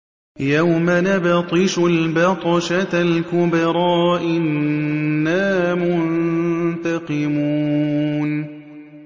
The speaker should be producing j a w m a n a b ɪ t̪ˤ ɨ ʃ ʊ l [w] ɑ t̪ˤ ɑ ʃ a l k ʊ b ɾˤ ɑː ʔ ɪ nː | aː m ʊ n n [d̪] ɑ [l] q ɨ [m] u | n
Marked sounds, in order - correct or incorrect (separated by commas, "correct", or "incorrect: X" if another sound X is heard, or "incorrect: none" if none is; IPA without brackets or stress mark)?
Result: incorrect: b, incorrect: t̪, incorrect: none, correct